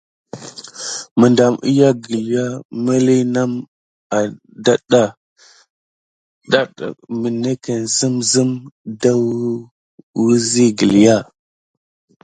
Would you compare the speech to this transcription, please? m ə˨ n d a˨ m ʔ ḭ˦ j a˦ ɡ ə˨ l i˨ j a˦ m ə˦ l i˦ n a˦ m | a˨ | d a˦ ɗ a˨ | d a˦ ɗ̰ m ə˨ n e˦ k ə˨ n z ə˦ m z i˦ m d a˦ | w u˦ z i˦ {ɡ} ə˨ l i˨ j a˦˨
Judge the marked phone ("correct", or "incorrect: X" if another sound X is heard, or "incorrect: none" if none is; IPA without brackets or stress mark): correct